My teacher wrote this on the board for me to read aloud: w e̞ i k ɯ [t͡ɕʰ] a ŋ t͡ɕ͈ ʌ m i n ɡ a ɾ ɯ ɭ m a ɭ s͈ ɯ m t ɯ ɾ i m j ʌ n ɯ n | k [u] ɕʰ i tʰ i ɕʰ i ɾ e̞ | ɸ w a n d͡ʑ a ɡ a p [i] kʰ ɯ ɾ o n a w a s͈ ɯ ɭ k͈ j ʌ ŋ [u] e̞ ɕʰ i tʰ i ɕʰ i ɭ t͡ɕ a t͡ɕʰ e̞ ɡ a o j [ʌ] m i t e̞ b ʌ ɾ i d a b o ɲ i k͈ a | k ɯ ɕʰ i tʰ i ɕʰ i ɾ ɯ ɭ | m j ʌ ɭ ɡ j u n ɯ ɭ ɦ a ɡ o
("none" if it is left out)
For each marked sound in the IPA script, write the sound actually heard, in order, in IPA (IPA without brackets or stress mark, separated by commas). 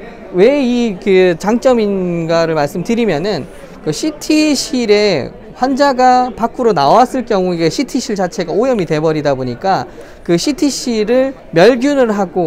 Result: t͡ɕ, ɯ, a, u, ʌ